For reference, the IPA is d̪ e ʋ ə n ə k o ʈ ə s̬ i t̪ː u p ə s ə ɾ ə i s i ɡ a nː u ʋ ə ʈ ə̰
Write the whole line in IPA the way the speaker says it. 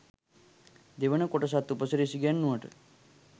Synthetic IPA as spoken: d̪ e ʋ ə n ə k o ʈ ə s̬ a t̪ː u p ə s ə ɾ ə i s i ɡ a nː u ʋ ə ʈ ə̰

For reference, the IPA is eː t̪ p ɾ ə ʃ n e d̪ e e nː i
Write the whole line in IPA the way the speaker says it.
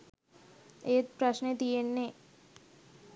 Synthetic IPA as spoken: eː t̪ p ɾ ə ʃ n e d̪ i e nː e

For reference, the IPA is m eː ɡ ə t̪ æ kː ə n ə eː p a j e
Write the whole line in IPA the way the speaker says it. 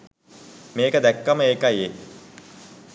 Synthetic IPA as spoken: m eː k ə d̪ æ kː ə m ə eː k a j e

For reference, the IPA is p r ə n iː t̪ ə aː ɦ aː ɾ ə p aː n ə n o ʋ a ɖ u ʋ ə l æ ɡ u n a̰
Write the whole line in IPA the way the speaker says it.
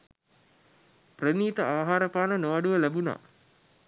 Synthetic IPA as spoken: p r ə n iː t̪ ə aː ɦ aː ɾ ə p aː n ə n o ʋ a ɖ u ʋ ə l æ b u n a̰

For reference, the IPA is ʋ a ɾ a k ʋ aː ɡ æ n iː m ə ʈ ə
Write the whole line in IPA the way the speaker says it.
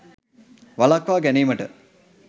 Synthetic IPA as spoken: ʋ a l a k ʋ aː ɡ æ n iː m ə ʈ ə

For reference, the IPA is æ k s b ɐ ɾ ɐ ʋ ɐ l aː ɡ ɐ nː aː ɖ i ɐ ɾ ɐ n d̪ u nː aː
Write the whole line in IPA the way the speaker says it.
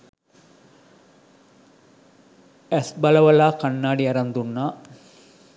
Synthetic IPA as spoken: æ s b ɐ l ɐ ʋ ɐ l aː k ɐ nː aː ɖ i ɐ ɾ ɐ n d̪ u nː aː

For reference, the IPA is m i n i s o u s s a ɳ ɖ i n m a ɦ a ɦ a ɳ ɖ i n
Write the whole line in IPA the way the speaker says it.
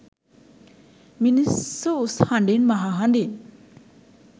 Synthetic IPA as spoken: m i n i s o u s h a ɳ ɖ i n m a ɦ a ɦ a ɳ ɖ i n

